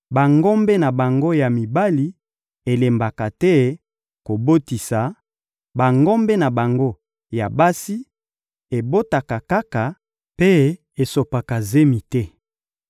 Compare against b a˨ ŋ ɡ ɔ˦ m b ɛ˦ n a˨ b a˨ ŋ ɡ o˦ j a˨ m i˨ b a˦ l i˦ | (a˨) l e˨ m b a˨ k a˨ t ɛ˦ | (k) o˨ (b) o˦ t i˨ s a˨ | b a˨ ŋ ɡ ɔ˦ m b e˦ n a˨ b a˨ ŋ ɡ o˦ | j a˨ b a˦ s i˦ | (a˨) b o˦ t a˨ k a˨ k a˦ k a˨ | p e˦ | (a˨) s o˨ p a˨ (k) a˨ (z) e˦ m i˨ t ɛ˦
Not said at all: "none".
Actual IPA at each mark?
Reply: e˨, k, b, e˨, e˨, k, z

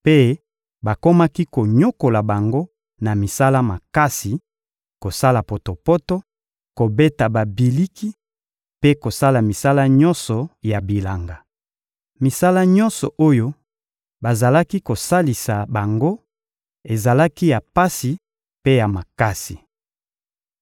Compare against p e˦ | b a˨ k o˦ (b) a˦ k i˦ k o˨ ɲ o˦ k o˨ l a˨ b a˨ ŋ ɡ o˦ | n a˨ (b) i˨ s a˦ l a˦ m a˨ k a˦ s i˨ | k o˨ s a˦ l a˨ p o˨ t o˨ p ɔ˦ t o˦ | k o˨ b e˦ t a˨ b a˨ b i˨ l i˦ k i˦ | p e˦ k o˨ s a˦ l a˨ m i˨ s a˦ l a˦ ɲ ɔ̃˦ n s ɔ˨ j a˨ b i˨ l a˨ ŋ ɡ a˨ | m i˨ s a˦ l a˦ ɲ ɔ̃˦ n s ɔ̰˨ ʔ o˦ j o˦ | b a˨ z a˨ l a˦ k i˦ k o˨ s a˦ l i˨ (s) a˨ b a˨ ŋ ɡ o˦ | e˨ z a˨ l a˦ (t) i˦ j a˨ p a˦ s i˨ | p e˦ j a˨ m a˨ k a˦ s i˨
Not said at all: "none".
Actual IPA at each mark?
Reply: m, m, s, k

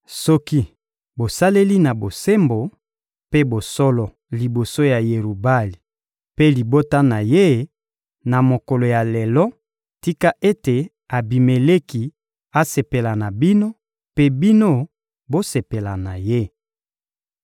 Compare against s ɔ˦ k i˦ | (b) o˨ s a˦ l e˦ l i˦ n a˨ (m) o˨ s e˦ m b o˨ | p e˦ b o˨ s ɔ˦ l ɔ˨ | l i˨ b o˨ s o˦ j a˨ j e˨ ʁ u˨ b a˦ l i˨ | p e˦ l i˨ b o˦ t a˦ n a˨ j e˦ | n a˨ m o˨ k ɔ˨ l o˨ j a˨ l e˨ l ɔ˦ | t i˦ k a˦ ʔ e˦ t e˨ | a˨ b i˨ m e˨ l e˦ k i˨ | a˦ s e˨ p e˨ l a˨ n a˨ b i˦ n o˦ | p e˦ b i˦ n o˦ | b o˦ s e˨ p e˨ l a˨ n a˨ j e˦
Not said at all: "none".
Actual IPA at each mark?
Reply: b, b

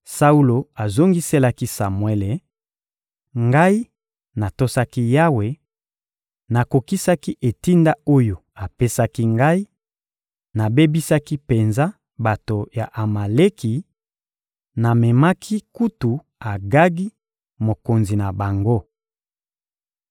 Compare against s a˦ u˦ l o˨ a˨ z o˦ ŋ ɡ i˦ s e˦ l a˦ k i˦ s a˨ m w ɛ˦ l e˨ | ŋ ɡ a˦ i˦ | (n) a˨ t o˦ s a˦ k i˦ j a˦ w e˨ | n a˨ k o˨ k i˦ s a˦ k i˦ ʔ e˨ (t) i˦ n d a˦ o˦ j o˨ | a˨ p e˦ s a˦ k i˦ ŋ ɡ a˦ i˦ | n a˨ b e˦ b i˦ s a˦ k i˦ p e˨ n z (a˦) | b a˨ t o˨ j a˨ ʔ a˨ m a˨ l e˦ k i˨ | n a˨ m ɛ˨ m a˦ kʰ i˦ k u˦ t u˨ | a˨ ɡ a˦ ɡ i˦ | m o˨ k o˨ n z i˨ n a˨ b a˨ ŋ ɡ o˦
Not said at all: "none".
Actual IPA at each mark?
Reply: n, t, a˦

